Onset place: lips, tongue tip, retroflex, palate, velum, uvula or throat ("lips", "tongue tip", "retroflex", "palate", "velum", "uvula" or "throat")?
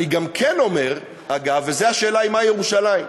velum